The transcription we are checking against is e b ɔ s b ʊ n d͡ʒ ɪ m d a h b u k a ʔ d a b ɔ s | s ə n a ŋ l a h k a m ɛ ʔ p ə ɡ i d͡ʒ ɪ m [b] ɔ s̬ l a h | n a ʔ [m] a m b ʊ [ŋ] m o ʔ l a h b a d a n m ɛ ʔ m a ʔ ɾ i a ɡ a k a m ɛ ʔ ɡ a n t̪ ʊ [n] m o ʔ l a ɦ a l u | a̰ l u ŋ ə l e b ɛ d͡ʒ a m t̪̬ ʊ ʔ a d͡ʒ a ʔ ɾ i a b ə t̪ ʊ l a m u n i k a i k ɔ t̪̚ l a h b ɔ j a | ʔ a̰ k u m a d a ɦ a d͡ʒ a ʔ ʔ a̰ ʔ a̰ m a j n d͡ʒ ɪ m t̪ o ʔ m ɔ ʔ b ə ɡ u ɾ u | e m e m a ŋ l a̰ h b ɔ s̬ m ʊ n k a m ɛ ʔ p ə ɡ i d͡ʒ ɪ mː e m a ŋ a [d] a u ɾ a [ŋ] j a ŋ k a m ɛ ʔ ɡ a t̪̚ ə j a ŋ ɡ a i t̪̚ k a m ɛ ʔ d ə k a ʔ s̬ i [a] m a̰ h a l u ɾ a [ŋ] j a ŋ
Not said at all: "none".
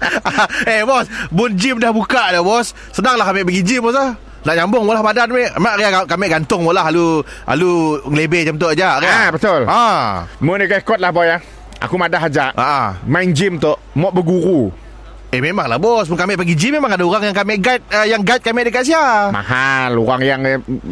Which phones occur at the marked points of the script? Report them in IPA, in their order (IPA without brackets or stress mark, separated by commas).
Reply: b, ɲ, ŋ, ŋ, d, ŋ, a, ŋ